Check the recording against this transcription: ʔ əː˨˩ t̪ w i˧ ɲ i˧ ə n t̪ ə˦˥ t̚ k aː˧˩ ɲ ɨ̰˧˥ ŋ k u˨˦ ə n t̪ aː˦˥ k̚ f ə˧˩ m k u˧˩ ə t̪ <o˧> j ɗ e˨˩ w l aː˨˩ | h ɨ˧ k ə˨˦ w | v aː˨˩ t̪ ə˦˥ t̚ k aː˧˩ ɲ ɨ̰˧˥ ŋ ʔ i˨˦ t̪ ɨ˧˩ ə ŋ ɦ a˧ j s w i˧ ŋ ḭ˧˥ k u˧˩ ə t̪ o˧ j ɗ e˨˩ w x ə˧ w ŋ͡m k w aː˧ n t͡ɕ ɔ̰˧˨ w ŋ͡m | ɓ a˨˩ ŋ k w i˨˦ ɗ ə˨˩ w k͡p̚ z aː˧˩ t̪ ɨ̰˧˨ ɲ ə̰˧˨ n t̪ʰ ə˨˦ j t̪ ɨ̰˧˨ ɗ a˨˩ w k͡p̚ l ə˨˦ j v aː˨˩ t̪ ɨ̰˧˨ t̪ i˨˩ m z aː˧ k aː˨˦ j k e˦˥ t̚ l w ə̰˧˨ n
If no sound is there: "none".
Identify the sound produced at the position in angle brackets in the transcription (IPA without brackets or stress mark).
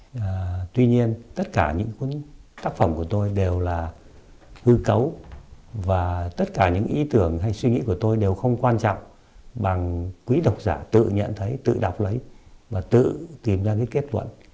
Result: o˧